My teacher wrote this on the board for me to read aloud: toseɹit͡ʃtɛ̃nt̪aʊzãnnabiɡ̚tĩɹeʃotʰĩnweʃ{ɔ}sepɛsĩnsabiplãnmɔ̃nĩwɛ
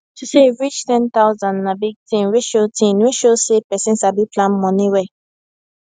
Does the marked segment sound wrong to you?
yes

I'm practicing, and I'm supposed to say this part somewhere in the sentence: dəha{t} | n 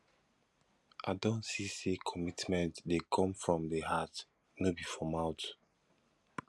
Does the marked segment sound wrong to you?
no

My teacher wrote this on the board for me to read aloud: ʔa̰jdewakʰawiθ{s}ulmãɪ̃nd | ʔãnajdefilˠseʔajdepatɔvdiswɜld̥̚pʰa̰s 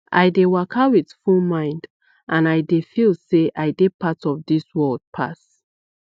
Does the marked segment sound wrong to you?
yes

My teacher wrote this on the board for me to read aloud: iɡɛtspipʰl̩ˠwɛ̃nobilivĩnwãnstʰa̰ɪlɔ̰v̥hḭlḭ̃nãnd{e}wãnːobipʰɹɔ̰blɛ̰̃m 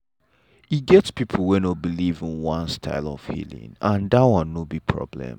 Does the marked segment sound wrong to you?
yes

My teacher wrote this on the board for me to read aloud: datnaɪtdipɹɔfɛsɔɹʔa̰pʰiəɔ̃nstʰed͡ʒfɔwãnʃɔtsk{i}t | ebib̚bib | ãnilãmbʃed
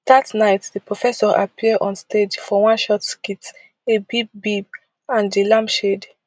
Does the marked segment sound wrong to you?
no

